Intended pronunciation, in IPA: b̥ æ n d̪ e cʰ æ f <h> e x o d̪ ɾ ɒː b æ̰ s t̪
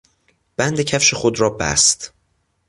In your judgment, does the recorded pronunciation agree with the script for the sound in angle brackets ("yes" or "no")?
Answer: no